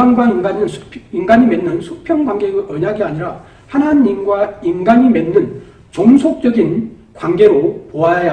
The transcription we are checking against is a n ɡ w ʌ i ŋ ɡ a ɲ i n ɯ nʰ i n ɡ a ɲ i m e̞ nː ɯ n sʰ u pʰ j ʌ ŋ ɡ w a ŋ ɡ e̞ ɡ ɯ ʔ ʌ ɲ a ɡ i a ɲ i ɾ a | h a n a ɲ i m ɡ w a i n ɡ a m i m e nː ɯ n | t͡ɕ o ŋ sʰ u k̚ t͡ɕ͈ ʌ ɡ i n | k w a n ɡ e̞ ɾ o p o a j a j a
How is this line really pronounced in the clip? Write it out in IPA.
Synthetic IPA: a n ɡ w a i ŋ ɡ a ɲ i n ɯ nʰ i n ɡ a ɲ i m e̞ nː ɯ n sʰ u pʰ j ʌ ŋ ɡ w a ŋ ɡ e̞ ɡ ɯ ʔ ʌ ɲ a ɡ i a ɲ i ɾ a | h a n a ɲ i m ɡ w a i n ɡ a ɲ i m e nː ɯ n | t͡ɕ o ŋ sʰ o k̚ t͡ɕ͈ ʌ ɡ i n | k w a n ɡ e̞ ɾ o p o a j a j a

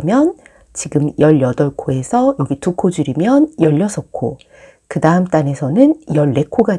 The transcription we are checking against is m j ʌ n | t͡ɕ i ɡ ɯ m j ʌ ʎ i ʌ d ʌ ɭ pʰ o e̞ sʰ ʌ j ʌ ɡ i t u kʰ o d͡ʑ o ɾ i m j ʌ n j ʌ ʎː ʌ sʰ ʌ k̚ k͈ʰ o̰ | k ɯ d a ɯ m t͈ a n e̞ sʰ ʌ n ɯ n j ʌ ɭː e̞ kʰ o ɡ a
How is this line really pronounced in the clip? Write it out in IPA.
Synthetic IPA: m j ʌ n | t͡ɕ i ɡ ɯ m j ʌ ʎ j ʌ d ʌ ɭ kʰ o e̞ sʰ ʌ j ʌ ɡ i t u kʰ o d͡ʑ u ɾ i m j ʌ n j ʌ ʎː ʌ sʰ ʌ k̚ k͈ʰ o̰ | k ɯ d a ɯ m t͈ a n e̞ sʰ ʌ n ɯ n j ʌ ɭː e̞ kʰ o ɡ a

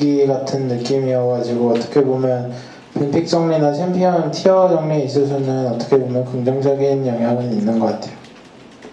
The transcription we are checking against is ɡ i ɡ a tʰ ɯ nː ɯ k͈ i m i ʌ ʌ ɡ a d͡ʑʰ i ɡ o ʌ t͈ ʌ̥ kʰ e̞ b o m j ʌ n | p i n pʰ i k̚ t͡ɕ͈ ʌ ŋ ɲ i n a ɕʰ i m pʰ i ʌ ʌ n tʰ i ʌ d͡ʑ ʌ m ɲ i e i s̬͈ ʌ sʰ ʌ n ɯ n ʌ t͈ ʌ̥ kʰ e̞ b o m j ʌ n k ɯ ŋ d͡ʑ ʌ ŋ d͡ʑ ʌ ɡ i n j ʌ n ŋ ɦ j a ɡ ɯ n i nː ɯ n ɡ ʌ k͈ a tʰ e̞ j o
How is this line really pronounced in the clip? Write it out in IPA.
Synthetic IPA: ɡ i ɡ a tʰ ɯ nː ɯ k͈ i m i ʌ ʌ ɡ a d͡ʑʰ i ɡ o ʌ t͈ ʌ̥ kʰ e̞ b o m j ʌ n | p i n pʰ i k̚ t͡ɕ͈ ʌ ŋ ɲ i n a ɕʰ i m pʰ i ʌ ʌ n tʰ i ʌ d͡ʑ ʌ ŋ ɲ i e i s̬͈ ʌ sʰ ʌ n ɯ n ʌ t͈ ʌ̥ kʰ e̞ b o m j ʌ n k ɯ ŋ d͡ʑ ʌ ŋ d͡ʑ ʌ ɡ i n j ʌ ŋ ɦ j a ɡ ɯ n i nː ɯ n ɡ ʌ k͈ a tʰ e̞ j o

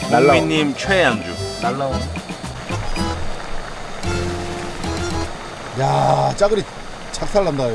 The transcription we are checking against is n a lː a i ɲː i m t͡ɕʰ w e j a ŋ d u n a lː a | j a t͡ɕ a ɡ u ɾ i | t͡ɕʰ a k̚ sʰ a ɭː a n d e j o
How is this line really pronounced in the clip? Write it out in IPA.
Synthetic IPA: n a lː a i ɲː i m t͡ɕʰ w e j a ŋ d͡ʑ u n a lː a | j a t͡ɕ a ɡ ɯ ɾ i | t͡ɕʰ a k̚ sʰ a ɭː a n d a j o

